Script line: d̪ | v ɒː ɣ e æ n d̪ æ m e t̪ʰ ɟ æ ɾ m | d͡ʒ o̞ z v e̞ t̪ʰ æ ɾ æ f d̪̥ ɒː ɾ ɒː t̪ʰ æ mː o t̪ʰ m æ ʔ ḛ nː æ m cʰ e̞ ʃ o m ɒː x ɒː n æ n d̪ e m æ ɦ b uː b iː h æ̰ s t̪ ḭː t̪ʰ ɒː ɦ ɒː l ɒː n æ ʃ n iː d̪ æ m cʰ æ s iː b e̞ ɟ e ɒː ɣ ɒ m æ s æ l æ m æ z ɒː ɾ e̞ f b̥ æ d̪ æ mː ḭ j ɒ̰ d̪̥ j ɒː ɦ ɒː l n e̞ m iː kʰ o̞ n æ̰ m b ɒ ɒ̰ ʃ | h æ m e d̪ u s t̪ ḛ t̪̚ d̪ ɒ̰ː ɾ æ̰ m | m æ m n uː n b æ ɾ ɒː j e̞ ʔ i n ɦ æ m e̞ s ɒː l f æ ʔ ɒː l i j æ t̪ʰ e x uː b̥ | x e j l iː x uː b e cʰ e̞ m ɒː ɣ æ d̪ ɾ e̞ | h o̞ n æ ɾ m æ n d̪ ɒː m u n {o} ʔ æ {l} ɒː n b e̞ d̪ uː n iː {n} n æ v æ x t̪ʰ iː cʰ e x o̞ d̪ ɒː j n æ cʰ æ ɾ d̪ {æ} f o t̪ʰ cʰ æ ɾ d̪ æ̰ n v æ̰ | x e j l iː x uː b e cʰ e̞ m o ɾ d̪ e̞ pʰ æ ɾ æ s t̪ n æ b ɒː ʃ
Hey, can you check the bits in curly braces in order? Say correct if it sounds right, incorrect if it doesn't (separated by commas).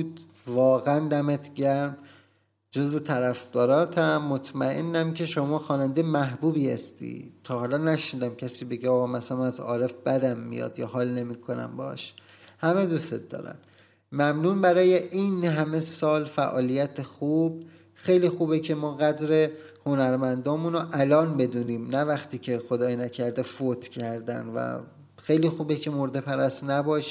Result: correct, correct, incorrect, incorrect